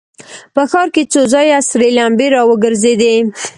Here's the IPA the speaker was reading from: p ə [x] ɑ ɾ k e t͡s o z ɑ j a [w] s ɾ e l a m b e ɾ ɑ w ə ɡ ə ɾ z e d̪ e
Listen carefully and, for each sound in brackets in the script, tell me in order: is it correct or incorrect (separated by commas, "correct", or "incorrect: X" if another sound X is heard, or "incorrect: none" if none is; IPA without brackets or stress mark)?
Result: correct, incorrect: none